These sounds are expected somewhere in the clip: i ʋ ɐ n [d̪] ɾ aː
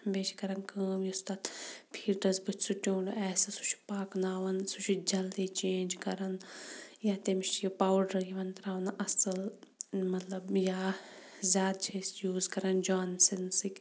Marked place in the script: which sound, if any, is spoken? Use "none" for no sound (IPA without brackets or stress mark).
t̪